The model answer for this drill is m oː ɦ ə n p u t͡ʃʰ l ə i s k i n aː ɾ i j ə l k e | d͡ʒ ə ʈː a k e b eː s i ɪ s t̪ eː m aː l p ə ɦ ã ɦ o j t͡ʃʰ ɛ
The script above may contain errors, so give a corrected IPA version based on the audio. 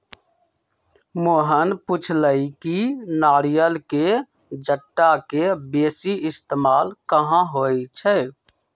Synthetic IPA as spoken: m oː ɦ ə n p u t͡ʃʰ l ə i k i n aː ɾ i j ə l k e | d͡ʒ ə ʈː a k e b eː s i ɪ s t̪ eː m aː l k ə ɦ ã ɦ o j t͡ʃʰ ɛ